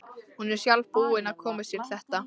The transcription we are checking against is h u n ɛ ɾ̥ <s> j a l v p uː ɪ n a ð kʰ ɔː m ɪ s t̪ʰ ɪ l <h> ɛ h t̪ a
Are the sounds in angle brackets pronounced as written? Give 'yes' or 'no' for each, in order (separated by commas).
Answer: yes, no